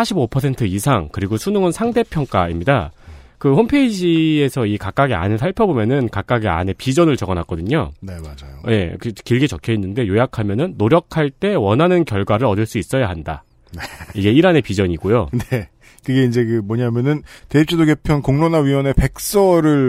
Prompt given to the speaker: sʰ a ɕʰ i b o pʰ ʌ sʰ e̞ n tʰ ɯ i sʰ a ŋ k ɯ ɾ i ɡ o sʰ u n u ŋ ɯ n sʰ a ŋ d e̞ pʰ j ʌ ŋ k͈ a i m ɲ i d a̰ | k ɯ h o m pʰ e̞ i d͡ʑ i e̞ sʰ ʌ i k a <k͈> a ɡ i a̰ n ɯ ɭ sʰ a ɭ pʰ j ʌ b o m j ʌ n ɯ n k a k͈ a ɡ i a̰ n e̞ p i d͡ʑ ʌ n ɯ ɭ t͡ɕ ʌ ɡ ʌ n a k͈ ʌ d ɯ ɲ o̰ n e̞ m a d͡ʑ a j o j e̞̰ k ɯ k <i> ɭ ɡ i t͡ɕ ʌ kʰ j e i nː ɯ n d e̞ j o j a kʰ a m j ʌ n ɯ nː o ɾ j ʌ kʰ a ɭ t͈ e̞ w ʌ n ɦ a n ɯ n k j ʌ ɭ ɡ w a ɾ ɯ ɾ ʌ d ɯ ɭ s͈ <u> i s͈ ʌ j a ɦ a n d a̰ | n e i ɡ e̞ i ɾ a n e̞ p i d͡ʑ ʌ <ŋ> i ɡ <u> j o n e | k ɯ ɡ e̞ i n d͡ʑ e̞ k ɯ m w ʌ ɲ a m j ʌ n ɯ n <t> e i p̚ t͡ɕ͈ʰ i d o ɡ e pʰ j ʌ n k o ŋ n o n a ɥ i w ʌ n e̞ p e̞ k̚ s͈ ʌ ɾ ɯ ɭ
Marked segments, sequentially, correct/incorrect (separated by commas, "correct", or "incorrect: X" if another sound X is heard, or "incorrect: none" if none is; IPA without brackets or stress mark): correct, correct, correct, incorrect: ɲ, incorrect: o, correct